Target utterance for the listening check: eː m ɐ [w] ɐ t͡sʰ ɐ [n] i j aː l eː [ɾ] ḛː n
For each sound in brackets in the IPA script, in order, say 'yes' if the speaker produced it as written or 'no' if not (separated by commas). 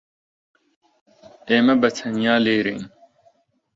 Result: no, yes, yes